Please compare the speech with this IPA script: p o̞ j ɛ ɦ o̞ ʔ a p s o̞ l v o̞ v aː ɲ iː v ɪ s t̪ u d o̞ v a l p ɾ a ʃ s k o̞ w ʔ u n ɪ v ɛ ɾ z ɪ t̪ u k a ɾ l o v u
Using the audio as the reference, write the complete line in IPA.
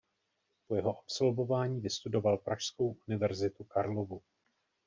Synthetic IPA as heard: p o̞ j ɛ ɦ o̞ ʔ a p s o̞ l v o̞ v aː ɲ iː v ɪ s t̪ u d o̞ v a l p ɾ a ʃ s k o̞ w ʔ u n ɪ v ɛ ɾ z ɪ t̪ u k a ɾ l o v u